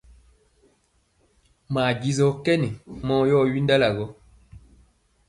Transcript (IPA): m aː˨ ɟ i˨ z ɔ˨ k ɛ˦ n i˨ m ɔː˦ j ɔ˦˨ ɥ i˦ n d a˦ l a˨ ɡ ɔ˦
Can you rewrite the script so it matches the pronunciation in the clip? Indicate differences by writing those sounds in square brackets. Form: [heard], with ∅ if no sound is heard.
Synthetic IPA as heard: m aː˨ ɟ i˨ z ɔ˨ k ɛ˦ n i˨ m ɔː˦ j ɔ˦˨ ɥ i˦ n d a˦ l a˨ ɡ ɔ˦